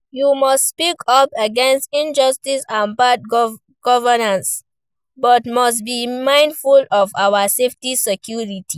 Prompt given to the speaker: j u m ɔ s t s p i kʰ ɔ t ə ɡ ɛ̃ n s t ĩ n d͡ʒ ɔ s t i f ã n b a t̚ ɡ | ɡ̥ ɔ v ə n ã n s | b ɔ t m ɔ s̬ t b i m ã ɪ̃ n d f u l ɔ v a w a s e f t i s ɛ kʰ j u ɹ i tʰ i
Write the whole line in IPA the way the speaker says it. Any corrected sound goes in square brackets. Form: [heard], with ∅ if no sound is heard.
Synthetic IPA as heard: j u m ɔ s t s p i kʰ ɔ [p] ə ɡ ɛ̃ n s t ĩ n d͡ʒ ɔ s t i [s] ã n b a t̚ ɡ | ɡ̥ ɔ v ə n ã n s | b ɔ t m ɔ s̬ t b i m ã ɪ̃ n d f u l ɔ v a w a s e f t i s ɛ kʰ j u ɹ i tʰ i